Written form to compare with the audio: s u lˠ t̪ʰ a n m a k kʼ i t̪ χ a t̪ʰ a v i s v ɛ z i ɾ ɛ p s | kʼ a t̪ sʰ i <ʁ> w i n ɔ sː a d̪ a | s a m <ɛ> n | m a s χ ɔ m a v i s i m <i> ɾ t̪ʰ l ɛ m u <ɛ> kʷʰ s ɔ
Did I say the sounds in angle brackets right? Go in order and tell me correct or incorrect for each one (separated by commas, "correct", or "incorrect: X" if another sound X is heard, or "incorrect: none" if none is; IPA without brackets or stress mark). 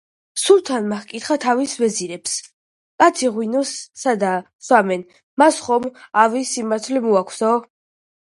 correct, correct, incorrect: a, incorrect: a